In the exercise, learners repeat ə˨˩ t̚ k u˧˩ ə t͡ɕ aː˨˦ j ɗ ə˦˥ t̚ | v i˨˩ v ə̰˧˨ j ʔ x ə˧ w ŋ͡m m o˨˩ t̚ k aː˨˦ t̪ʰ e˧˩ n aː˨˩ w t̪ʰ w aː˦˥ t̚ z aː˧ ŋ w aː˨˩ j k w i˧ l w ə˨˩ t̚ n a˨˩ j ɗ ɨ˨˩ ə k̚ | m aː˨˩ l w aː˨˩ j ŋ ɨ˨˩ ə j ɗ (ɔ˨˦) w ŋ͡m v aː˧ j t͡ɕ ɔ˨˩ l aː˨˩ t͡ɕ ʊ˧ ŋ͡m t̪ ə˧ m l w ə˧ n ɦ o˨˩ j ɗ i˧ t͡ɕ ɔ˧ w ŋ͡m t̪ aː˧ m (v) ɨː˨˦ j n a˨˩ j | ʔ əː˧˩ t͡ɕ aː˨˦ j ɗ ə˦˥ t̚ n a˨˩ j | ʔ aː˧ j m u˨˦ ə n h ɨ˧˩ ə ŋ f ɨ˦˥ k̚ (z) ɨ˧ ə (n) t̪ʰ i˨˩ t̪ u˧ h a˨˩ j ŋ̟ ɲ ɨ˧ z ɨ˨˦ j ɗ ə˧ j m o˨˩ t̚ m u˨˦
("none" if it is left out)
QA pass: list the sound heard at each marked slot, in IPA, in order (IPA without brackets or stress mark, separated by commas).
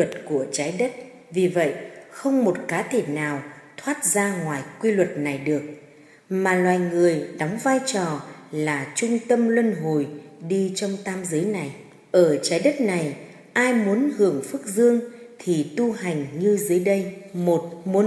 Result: ɔ˨˦, z, z, ŋ